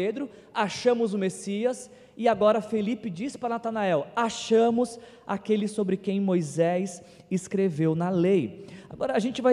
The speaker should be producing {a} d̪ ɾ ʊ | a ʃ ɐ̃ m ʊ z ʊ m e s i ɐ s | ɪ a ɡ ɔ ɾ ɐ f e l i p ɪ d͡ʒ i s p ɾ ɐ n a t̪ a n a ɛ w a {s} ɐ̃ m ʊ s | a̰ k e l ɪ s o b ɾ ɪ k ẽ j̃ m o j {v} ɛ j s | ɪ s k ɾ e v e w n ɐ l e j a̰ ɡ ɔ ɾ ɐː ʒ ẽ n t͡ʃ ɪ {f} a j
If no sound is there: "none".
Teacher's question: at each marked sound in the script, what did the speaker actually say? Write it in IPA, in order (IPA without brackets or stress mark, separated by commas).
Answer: e, ʃ, z, v